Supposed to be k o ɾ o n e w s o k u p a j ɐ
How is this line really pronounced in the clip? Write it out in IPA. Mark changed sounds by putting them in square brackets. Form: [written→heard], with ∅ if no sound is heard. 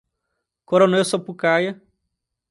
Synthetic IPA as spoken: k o ɾ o n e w s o [k→p] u [p→k] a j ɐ